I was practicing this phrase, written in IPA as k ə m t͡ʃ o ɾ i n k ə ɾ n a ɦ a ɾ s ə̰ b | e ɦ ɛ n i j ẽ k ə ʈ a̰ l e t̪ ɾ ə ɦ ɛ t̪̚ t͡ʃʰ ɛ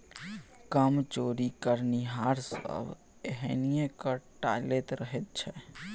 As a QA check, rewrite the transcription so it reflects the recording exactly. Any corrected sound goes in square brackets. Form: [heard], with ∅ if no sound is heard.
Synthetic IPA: k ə m t͡ʃ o ɾ i [∅] k ə ɾ n [i] ɦ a ɾ s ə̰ b | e ɦ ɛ n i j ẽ k ə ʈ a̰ l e t̪ ɾ ə ɦ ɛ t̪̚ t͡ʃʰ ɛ